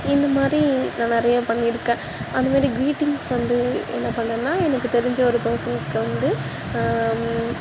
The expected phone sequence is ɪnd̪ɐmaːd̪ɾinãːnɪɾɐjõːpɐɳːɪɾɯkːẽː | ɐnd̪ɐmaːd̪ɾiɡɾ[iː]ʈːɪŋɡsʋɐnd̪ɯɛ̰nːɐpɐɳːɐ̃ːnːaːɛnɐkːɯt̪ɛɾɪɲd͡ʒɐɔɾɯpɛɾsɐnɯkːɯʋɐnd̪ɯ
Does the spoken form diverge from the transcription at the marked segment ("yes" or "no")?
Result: no